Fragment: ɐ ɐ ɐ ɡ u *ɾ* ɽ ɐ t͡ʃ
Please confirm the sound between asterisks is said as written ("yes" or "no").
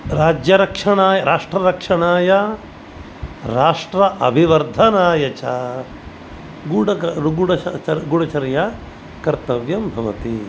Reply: no